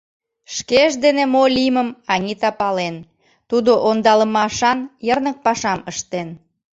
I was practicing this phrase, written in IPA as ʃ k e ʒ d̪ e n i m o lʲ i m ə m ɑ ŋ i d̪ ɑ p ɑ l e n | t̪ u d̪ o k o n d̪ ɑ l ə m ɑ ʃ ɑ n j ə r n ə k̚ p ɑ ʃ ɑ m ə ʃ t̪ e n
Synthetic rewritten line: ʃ k e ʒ d̪ e n e m o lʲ i m ə m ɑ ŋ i t̪ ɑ p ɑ l e n | t̪ u d̪ o ʔ o n d̪ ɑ l ə m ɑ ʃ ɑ n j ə r n ə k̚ p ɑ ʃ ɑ m ə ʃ t̪ e n